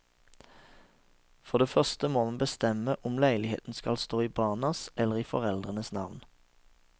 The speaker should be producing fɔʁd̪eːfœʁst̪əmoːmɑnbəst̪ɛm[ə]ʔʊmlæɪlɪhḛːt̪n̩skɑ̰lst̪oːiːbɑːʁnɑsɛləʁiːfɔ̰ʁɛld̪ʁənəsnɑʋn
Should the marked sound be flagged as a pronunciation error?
no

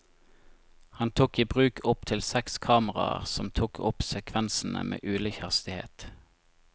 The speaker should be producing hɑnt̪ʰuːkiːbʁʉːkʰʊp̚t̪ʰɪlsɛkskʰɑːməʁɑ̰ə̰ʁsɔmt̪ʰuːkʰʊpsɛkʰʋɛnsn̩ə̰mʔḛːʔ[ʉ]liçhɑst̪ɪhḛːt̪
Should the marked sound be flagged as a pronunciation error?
yes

